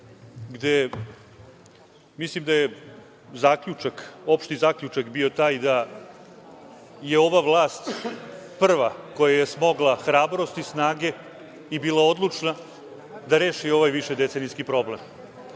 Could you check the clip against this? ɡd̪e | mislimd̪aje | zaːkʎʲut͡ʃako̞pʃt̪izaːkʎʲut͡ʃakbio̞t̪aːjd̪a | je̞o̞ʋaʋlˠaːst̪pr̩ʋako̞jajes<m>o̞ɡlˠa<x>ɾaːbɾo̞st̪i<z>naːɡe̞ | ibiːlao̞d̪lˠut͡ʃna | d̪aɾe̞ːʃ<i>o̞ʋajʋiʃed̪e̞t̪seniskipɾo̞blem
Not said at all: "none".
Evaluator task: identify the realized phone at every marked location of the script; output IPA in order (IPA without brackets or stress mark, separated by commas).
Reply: m, x, s, i